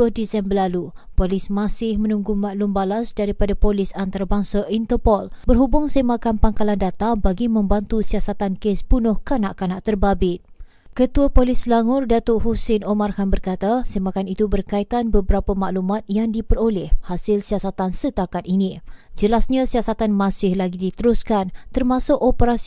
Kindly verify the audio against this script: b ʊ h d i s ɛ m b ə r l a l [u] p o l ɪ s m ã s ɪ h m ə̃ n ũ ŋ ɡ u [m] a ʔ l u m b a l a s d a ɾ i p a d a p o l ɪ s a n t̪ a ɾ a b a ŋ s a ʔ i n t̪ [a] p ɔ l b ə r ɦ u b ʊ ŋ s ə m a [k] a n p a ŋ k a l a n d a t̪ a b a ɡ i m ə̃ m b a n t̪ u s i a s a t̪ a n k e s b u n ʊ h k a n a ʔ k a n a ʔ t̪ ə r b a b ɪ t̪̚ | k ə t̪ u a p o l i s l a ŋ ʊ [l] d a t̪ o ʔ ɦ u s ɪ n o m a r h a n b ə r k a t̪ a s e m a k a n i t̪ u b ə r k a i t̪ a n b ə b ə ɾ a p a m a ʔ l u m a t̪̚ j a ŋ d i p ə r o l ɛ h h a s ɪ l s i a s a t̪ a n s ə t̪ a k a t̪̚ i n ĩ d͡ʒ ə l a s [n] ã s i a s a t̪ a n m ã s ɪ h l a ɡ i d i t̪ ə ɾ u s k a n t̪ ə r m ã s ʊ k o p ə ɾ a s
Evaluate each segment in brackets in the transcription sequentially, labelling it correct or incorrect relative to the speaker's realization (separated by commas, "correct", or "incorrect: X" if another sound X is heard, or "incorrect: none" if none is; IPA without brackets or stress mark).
correct, correct, incorrect: ə, correct, incorrect: r, incorrect: ɲ